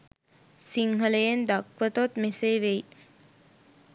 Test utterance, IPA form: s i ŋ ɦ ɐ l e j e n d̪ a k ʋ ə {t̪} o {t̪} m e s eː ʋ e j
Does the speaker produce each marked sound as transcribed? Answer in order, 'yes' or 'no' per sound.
yes, yes

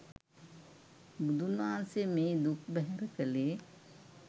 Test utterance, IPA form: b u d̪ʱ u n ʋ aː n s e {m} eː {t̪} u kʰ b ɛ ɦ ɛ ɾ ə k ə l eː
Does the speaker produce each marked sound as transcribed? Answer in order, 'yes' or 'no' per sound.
yes, no

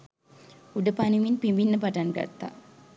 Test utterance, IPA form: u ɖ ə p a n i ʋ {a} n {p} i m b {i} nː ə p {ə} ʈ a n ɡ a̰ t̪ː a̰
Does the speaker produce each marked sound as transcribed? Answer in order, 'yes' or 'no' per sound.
no, yes, yes, no

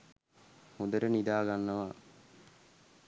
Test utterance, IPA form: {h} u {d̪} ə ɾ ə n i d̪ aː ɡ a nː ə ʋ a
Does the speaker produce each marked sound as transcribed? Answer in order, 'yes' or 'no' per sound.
yes, yes

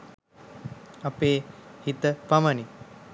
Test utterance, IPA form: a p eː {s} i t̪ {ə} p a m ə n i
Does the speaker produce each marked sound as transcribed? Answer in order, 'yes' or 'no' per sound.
no, yes

